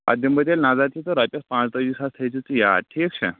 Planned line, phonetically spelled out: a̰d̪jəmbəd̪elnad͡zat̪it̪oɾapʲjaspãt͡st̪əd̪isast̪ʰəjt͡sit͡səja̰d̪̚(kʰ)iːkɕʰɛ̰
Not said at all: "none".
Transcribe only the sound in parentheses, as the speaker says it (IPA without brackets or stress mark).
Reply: ʈʰ